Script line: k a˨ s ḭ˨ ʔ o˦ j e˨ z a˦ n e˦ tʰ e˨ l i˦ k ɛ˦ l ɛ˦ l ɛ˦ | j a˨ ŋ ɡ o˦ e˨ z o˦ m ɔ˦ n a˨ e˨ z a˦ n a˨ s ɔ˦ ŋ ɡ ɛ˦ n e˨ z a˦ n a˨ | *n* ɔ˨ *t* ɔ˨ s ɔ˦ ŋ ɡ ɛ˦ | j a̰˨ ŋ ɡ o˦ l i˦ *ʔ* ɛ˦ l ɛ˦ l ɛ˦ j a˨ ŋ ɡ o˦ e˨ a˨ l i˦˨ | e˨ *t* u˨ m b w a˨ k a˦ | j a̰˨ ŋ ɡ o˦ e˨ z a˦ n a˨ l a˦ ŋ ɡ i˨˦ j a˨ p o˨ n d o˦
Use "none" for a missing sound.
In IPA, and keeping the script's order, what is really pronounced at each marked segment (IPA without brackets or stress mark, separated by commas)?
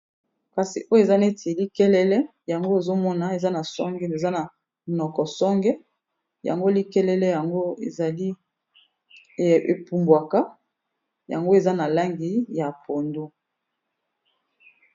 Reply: n, k, k, p